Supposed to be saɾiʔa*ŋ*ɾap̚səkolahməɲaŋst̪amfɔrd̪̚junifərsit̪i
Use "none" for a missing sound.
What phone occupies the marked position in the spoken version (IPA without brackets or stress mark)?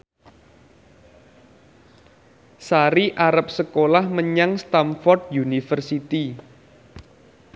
none